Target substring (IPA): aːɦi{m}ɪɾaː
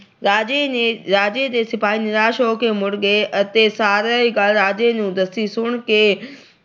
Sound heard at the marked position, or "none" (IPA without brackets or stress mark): n